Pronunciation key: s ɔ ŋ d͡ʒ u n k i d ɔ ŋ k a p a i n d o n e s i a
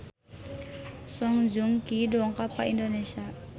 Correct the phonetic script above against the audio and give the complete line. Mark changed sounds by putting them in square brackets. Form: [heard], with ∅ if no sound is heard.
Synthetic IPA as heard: s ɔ ŋ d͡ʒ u [ŋ] k i d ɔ ŋ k a p a i n d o n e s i a